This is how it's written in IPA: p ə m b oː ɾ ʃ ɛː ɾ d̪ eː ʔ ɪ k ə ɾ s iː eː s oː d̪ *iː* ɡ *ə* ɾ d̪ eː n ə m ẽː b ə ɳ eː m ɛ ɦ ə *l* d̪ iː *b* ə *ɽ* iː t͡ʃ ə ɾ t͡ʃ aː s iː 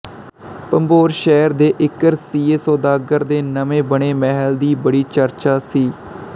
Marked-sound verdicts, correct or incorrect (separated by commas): incorrect, correct, correct, correct, correct